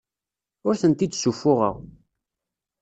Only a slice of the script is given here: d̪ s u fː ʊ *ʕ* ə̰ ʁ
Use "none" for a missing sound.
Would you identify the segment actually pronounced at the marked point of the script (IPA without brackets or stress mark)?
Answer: ʁ